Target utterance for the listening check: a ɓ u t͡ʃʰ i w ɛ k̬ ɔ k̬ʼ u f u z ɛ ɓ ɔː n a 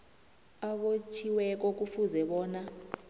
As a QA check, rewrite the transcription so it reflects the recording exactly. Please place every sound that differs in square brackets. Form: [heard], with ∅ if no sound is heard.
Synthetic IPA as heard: a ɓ [o] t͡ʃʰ i w ɛ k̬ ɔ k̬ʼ u f u z ɛ ɓ ɔː n a